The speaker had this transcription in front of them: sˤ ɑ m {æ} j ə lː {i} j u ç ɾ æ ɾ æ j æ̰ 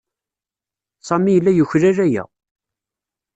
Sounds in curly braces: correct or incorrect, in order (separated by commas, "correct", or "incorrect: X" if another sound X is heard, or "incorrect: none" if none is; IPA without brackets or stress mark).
incorrect: i, incorrect: æ